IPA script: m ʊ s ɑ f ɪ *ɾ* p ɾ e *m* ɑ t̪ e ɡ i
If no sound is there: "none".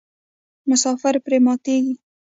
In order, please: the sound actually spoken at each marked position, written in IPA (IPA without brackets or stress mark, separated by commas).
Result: ɾ, m